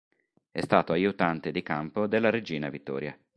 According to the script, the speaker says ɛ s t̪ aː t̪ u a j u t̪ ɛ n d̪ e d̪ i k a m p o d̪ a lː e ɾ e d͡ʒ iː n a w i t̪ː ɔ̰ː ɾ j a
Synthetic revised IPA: ɛ s t̪ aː t̪ o a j u t̪ a n t̪ e d̪ i k a m p o d̪ e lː a ɾ e d͡ʒ iː n a v i t̪ː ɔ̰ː ɾ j a